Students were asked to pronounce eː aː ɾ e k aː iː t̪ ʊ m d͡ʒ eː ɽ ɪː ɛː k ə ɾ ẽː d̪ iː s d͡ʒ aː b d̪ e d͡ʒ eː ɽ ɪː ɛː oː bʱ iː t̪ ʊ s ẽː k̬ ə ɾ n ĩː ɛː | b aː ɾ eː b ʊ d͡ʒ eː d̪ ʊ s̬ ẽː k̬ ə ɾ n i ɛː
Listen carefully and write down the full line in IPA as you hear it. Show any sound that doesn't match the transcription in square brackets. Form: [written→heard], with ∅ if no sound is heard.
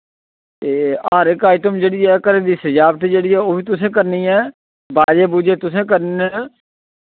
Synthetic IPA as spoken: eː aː ɾ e k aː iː t̪ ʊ m d͡ʒ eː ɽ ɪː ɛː k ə ɾ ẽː d̪ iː s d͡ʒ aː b [d̪→t̪] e d͡ʒ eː ɽ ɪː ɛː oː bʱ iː t̪ ʊ s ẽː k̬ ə ɾ n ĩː ɛː | b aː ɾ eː b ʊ d͡ʒ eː [d̪→t̪] ʊ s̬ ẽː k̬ ə ɾ n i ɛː

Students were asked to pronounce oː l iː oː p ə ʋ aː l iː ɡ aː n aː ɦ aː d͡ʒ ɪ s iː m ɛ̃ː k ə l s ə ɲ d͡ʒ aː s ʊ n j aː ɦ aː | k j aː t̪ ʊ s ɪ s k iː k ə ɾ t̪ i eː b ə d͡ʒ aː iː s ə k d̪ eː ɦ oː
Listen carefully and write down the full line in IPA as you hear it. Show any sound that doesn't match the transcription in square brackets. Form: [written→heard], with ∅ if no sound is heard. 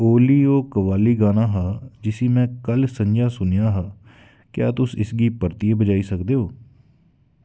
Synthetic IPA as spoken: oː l iː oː [p→k] ə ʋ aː l iː ɡ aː n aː ɦ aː d͡ʒ ɪ s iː m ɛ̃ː k ə l s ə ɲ d͡ʒ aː s ʊ n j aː ɦ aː | k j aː t̪ ʊ s ɪ s [k→ɡ] iː [k→p] ə ɾ t̪ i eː b ə d͡ʒ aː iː s ə k d̪ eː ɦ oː

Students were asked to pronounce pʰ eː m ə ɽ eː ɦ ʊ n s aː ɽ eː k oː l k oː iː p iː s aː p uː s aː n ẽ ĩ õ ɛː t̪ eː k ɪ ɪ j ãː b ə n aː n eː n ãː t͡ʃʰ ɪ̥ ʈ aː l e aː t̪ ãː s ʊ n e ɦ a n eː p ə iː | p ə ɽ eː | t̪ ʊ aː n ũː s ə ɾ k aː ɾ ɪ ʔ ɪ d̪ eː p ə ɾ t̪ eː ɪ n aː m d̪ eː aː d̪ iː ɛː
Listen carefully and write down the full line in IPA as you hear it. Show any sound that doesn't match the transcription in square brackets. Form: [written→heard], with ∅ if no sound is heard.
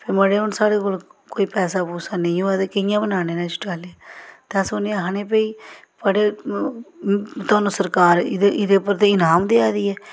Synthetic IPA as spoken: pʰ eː m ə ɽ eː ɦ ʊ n s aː ɽ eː k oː l k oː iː p [iː→ɛː] s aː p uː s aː n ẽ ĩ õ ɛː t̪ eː k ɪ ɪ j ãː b ə n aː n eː n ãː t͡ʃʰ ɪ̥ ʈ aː l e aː t̪ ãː s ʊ n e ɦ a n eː p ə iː | p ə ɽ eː | t̪ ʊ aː n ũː s ə ɾ k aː ɾ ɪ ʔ ɪ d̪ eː p ə ɾ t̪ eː ɪ n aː m d̪ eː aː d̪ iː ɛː

